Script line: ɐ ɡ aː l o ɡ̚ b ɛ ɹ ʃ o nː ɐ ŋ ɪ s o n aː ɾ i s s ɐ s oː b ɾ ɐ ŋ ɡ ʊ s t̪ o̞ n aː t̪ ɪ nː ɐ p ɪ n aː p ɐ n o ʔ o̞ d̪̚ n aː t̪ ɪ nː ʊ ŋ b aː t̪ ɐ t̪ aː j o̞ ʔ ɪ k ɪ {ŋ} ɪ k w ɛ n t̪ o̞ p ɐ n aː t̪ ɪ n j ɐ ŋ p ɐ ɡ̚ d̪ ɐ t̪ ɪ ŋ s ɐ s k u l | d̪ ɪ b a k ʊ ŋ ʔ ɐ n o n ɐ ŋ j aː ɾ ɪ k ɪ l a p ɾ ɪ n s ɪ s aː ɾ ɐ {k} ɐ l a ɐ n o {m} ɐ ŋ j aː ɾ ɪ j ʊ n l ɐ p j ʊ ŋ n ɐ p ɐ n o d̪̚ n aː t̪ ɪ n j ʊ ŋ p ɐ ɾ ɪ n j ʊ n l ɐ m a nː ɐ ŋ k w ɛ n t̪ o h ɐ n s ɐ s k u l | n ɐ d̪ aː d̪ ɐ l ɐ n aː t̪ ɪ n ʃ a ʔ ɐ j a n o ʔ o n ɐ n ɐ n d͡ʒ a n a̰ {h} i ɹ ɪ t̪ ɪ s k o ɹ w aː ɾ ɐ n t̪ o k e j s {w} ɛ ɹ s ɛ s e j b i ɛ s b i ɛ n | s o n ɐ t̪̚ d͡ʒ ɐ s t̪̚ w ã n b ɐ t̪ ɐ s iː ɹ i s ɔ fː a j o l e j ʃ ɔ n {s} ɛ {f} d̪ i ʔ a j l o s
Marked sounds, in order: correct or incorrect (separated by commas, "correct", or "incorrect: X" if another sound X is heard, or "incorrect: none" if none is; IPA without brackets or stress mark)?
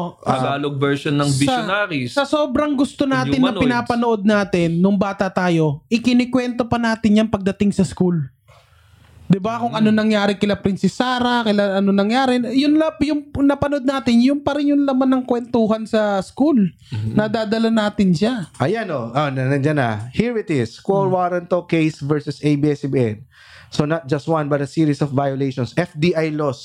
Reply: incorrect: n, correct, incorrect: n, correct, incorrect: v, correct, correct